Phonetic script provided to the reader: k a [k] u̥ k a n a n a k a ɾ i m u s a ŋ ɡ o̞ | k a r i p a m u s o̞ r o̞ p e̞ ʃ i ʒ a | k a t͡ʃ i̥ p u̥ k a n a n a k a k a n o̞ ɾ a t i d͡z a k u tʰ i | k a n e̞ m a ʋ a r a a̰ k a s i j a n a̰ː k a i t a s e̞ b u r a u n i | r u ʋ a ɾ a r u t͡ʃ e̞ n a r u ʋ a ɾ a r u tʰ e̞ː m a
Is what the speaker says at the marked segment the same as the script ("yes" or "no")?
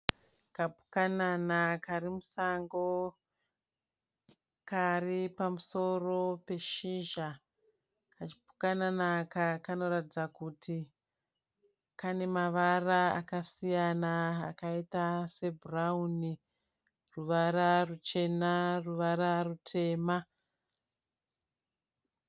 no